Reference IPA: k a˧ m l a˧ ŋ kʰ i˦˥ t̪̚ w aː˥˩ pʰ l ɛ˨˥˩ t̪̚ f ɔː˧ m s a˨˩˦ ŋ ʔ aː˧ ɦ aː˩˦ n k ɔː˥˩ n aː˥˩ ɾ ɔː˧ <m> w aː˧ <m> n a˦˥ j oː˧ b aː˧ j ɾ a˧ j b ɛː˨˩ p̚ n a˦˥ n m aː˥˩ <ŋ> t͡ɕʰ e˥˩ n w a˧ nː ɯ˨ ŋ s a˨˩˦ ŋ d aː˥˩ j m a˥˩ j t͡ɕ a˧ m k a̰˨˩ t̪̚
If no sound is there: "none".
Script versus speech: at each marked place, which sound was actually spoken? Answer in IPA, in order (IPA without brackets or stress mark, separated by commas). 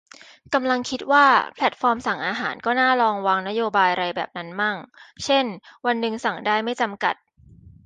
ŋ, ŋ, ŋ